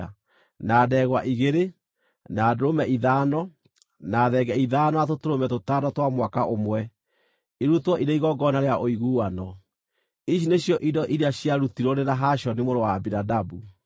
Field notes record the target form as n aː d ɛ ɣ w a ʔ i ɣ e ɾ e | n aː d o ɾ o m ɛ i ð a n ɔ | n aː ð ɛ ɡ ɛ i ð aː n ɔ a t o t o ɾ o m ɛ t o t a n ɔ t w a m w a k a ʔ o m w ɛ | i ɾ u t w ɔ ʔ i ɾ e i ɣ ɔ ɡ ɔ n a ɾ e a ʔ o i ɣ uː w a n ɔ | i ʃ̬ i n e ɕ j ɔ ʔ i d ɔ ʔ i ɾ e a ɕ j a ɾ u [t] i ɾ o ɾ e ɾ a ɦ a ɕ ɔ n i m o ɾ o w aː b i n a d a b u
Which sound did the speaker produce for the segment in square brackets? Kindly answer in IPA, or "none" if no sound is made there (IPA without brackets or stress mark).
t